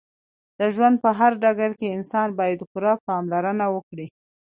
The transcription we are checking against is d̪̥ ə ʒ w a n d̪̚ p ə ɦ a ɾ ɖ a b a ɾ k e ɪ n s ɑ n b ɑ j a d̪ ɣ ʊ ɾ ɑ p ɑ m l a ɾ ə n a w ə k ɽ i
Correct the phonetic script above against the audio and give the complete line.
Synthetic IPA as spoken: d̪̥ ə ʒ w a n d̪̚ p ə ɦ a ɾ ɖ a ɡ a ɾ k e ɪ n s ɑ n b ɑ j a d̪ x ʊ ɾ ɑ p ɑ m l a ɾ ə n a w ə k ɽ i